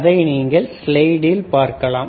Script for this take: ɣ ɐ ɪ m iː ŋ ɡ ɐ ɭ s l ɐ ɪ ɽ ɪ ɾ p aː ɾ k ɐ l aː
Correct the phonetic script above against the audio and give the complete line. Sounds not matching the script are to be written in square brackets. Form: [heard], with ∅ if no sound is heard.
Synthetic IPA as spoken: [ð] ɐ ɪ [n] iː ŋ ɡ ɐ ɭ s l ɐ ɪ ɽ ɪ [l] p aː ɾ k ɐ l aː